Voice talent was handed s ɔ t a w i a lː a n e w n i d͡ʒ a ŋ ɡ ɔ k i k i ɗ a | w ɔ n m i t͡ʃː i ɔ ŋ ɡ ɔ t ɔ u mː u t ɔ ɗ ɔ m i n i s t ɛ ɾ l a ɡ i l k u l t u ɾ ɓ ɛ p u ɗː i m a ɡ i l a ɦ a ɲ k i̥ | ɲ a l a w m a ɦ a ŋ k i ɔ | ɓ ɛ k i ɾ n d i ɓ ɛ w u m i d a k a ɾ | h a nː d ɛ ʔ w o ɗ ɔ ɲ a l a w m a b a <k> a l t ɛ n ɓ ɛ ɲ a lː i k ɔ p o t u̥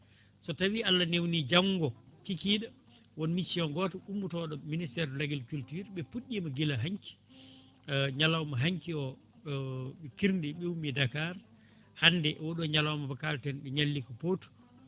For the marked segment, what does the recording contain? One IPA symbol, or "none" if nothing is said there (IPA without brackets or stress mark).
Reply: k